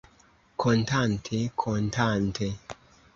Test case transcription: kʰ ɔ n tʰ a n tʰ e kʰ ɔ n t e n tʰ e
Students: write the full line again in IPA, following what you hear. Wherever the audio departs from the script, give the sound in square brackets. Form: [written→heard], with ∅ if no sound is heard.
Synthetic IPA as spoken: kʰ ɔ n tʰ a n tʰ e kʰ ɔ n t [e→a] n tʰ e